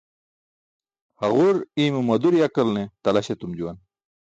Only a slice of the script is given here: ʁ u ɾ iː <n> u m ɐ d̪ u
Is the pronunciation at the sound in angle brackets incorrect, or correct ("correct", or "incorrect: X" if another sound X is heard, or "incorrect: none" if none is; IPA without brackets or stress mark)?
incorrect: m